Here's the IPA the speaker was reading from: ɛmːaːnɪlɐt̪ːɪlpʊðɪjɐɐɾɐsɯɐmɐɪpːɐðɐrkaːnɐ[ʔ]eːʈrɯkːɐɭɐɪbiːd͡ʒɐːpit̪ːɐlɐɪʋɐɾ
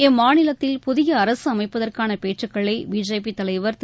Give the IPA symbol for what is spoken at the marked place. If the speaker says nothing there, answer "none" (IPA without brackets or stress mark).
p